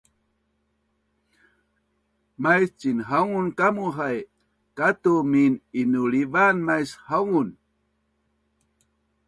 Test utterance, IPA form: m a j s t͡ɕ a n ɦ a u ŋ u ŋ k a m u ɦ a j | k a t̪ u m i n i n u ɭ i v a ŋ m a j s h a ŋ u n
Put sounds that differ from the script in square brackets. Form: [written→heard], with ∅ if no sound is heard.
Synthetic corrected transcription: m a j s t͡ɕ [a→i] n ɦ a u ŋ u [ŋ→n] k a m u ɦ a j | k a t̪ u m i n i n u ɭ i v a [ŋ→n] m a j s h a ŋ u n